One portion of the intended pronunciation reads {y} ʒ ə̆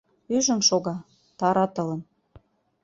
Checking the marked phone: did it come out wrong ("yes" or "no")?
no